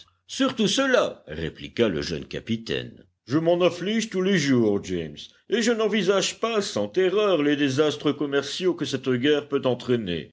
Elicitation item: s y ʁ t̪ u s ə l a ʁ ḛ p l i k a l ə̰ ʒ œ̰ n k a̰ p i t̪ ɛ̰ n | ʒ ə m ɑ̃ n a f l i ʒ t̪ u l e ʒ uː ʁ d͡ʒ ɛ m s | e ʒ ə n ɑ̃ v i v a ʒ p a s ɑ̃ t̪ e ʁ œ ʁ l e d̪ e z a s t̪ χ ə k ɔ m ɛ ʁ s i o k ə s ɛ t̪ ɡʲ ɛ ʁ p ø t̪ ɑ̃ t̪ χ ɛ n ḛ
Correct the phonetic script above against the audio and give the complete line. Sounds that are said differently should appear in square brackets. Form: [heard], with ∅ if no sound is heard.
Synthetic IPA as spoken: s y ʁ t̪ u s ə l a ʁ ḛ p l i k a l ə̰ ʒ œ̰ n k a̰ p i t̪ ɛ̰ n | ʒ ə m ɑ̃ n a f l i ʒ t̪ u l e ʒ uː ʁ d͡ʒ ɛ m s | e ʒ ə n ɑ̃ v i [z] a ʒ p a s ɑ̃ t̪ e ʁ œ ʁ l e d̪ e z a s t̪ χ ə k ɔ m ɛ ʁ s [j] o k ə s ɛ t̪ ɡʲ ɛ ʁ p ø t̪ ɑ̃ t̪ χ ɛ n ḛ